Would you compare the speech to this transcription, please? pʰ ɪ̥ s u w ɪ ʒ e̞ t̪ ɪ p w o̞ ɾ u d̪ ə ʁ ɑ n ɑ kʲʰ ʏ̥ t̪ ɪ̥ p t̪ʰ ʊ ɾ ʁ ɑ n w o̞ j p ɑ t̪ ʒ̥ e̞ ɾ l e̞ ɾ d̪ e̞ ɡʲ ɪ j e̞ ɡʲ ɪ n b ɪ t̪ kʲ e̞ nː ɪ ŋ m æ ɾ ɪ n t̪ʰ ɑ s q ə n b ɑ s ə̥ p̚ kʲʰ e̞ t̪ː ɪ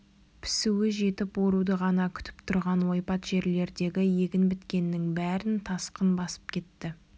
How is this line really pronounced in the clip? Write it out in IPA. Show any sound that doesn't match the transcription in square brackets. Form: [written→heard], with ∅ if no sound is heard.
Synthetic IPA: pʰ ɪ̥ s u w ɪ ʒ e̞ t̪ ɪ p w o̞ ɾ u d̪ ə ʁ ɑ n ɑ kʲʰ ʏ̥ t̪ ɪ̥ p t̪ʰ ʊ ɾ ʁ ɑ n w o̞ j p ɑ t̪ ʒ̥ e̞ ɾ l e̞ ɾ d̪ e̞ ɡʲ ɪ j e̞ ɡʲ ɪ n b ɪ t̪ kʲ e̞ nː ɪ ŋ [m→b] æ ɾ ɪ n t̪ʰ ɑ s q ə n b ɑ s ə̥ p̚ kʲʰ e̞ t̪ː ɪ